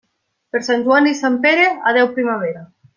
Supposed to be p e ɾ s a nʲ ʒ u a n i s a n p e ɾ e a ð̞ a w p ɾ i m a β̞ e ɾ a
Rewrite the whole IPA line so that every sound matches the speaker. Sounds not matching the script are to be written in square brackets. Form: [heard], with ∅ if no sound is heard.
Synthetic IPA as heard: p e ɾ s a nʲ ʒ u a n i s a [m] p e ɾ e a ð̞ [ɛ] w p ɾ i m a β̞ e ɾ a